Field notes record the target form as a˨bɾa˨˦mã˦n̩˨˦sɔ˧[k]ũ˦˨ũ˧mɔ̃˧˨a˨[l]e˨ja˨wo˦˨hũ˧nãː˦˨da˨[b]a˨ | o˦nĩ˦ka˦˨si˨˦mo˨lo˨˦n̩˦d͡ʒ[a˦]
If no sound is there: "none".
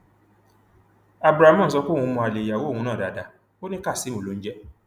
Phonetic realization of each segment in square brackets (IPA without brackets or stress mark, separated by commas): k, l, d, ɛ˦